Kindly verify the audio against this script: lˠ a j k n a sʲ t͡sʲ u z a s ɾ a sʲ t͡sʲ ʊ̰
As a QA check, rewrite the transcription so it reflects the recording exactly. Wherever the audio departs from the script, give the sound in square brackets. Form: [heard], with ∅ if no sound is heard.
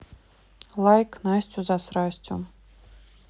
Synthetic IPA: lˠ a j k n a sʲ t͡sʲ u z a s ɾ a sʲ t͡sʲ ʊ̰